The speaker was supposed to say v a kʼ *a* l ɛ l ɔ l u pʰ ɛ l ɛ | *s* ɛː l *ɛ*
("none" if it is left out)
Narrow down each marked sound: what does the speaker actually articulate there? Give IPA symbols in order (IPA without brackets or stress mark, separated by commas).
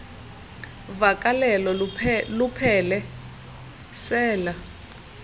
a, s, a